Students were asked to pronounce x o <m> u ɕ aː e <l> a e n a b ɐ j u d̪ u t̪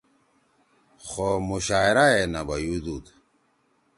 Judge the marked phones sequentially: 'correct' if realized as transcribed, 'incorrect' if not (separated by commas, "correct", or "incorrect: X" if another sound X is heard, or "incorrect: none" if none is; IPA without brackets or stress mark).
correct, incorrect: ɾ